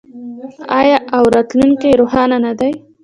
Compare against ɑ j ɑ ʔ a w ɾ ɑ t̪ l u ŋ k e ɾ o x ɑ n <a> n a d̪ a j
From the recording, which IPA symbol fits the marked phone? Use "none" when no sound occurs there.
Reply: a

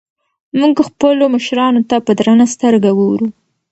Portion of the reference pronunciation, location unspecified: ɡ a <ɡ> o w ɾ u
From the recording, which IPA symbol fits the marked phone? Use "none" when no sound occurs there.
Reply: ɡ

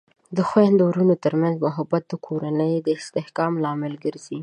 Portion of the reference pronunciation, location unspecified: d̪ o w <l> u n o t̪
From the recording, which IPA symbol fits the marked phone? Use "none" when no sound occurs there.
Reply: ɾ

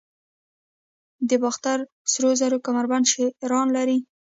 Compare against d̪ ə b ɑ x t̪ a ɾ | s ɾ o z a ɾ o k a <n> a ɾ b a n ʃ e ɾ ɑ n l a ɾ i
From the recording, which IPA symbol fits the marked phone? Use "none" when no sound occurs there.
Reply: m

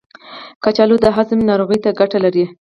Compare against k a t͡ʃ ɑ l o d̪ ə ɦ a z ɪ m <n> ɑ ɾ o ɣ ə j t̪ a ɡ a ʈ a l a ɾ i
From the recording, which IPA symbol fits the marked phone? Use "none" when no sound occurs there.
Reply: n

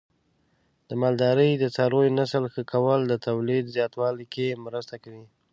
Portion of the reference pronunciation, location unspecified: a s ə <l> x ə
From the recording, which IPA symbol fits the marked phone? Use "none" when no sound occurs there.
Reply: l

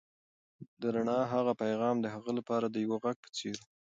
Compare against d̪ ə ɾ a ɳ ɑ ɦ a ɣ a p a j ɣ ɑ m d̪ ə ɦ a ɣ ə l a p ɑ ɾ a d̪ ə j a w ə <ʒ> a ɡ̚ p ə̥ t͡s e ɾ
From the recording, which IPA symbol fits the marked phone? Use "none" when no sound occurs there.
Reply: ɣ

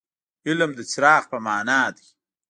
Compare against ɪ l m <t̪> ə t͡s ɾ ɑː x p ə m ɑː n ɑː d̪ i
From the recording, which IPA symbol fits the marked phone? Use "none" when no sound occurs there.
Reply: d̪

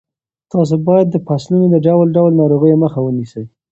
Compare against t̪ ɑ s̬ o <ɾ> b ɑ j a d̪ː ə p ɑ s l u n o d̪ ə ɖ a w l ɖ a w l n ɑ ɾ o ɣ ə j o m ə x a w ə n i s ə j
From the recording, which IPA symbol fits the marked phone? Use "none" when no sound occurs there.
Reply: none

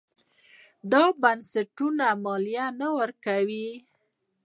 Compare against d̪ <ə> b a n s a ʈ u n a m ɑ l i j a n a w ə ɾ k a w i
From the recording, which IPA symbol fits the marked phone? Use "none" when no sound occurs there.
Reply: ɑ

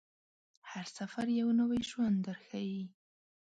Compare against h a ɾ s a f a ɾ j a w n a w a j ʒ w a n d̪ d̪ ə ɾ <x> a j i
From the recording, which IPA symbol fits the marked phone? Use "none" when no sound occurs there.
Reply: x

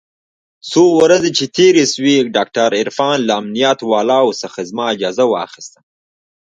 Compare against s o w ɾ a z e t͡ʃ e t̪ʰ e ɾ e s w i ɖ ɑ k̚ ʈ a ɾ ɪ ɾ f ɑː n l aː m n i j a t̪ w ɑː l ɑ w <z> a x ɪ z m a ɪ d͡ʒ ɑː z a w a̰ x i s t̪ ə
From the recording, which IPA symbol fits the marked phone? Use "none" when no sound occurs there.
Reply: s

